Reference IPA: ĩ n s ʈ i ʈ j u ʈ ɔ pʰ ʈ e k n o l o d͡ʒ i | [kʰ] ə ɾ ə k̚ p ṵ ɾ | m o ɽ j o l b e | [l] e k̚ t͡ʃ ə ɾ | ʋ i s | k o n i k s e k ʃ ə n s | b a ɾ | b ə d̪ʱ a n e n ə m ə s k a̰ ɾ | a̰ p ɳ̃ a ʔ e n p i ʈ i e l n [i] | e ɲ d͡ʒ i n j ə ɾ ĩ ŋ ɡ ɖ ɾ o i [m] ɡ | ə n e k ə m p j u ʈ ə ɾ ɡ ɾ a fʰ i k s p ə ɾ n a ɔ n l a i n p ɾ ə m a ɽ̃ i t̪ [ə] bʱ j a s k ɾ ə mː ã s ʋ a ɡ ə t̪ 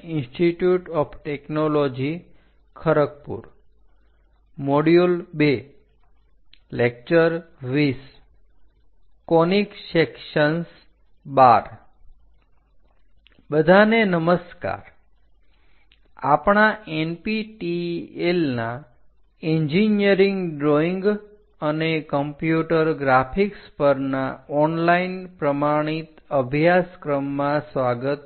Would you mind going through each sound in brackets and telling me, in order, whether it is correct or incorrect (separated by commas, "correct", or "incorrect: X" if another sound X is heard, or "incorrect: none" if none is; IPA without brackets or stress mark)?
correct, correct, incorrect: a, incorrect: ŋ, correct